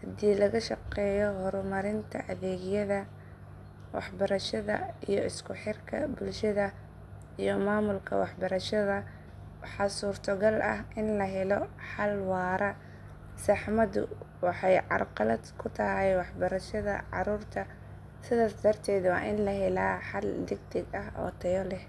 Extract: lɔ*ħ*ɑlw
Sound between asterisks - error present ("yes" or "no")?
no